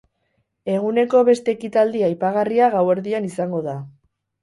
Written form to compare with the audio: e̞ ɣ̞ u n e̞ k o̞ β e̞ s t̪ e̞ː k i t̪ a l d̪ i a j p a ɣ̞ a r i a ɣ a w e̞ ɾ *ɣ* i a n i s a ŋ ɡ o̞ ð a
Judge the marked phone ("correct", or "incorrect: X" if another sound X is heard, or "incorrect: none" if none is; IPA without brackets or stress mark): incorrect: ð